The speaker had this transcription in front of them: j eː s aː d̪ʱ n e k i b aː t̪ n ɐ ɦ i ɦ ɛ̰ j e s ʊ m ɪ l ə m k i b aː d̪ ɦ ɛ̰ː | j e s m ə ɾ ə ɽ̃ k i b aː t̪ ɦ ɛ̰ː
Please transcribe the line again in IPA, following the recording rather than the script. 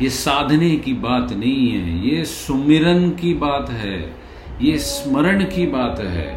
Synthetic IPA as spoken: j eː s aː d̪ʱ n e k i b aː t̪ n ɐ ɦ ĩ ɦ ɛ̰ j e s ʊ m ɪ ɾ ə n k i b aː t̪ ɦ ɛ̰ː | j e s m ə ɾ ə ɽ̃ k i b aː t̪ ɦ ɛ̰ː